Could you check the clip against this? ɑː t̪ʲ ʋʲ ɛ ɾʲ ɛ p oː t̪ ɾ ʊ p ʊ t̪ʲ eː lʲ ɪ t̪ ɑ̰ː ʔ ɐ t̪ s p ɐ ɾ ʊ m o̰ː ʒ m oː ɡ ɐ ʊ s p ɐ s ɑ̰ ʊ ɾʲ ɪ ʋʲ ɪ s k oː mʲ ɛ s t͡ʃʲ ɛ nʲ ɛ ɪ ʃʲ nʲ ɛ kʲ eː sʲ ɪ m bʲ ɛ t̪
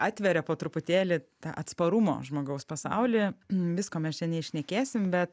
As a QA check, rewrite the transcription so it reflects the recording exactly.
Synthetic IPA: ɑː t̪ʲ ʋʲ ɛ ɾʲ ɛ p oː t̪ ɾ ʊ p ʊ t̪ʲ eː lʲ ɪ t̪ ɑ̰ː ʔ ɐ t̪ s p ɐ ɾ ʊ m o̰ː ʒ m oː ɡ ɐ ʊ s p ɐ s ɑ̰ ʊ lʲ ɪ ʋʲ ɪ s k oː mʲ ɛ s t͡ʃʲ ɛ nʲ ɛ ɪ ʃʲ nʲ ɛ kʲ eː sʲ ɪ m bʲ ɛ t̪